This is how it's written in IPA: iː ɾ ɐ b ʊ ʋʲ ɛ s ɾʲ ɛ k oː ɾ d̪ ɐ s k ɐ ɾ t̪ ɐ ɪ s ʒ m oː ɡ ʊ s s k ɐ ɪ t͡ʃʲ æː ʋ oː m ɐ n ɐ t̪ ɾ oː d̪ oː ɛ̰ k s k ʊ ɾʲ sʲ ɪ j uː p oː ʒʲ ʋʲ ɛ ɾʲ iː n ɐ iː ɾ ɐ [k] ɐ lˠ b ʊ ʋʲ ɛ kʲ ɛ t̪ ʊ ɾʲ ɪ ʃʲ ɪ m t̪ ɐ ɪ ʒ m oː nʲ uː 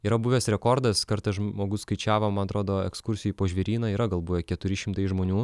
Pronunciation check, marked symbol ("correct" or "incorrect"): incorrect